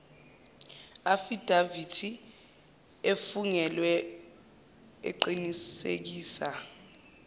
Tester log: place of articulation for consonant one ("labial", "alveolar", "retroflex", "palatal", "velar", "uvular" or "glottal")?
labial